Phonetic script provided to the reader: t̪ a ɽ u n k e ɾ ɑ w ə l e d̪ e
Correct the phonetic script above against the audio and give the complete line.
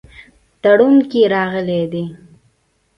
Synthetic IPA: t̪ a ɽ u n k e ɾ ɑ ɣ ə l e d̪ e